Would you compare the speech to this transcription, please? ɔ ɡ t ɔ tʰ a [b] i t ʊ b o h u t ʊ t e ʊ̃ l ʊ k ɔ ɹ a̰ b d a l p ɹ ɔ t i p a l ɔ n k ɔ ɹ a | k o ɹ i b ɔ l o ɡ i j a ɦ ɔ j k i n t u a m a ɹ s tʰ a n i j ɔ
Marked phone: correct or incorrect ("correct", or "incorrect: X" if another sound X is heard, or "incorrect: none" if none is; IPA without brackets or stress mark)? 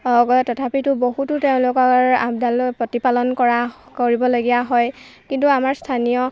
incorrect: p